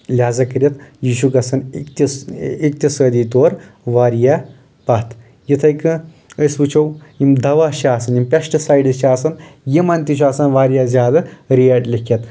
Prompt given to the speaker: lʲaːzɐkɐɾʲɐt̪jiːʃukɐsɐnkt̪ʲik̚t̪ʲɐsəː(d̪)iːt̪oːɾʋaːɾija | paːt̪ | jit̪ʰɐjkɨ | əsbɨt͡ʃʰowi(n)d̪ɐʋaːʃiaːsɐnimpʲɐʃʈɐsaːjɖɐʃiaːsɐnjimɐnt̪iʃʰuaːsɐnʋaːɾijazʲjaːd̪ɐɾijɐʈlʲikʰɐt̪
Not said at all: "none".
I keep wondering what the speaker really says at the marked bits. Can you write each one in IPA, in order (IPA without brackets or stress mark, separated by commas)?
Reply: d̪, m